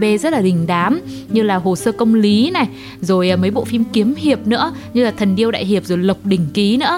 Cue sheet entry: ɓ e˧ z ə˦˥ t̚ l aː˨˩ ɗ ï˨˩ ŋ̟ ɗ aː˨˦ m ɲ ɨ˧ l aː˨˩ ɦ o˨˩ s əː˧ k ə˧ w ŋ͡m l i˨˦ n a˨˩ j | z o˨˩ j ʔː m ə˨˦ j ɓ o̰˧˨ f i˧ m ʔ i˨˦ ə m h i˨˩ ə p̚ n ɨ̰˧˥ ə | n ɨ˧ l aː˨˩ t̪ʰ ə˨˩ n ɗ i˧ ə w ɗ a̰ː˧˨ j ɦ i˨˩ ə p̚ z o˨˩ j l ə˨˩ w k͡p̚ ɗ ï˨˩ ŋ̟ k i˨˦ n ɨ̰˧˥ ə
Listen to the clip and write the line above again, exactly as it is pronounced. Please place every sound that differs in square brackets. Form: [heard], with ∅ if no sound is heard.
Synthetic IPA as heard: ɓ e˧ z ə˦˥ t̚ l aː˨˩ ɗ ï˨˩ ŋ̟ ɗ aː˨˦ m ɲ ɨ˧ l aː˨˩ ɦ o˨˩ s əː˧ k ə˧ w ŋ͡m l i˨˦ n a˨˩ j | z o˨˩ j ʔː m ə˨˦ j ɓ o̰˧˨ f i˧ m [k] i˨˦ ə m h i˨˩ ə p̚ n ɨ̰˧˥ ə | [ɲ] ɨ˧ l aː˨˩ t̪ʰ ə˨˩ n ɗ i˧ ə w ɗ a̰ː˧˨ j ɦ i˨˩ ə p̚ z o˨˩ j l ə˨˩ w k͡p̚ ɗ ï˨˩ ŋ̟ k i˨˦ n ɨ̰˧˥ ə